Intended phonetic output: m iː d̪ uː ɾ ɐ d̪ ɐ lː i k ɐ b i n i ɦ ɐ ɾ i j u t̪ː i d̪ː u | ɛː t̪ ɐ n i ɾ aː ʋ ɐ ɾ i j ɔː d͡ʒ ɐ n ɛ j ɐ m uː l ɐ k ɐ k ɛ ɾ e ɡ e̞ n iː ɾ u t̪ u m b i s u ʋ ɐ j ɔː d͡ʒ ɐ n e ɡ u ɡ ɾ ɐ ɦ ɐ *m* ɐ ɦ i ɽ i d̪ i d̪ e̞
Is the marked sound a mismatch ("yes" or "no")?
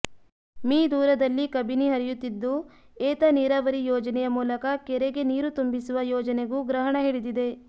yes